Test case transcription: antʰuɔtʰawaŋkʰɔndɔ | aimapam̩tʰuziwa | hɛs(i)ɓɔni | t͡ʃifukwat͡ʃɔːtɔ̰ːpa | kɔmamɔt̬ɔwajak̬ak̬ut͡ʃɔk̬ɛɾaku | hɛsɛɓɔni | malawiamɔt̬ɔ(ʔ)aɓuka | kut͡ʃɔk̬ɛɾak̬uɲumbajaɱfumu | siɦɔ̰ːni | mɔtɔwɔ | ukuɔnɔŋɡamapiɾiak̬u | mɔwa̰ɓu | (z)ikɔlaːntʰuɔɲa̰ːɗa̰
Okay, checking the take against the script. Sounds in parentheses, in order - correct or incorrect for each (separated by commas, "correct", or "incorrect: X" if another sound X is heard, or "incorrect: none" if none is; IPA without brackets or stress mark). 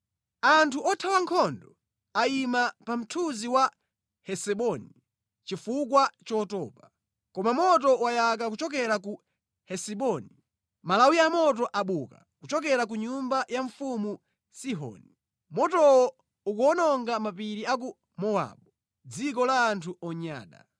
incorrect: ɛ, correct, incorrect: d͡z